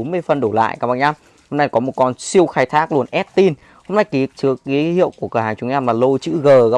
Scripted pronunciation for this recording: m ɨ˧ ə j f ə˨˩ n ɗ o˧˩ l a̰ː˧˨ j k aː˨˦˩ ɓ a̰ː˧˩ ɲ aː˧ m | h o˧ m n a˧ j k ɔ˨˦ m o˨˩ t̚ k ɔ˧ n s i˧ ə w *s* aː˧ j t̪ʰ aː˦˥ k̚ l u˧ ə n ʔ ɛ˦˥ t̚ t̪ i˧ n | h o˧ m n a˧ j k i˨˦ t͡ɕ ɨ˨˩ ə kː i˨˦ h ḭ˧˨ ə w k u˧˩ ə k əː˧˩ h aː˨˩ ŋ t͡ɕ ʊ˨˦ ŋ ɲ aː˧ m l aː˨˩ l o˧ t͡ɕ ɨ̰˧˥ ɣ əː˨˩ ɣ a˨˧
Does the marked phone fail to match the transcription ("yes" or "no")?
yes